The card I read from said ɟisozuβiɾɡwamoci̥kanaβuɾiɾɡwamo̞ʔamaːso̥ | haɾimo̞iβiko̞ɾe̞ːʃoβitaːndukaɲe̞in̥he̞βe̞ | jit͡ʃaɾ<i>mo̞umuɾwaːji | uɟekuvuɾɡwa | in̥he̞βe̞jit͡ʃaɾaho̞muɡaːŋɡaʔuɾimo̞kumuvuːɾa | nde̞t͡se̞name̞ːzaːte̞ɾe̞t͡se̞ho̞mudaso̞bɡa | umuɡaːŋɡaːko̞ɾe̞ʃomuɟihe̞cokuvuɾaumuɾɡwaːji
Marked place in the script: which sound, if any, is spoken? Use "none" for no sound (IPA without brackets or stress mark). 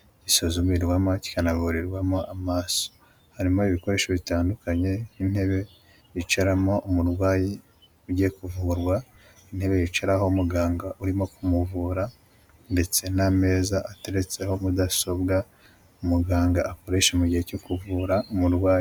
a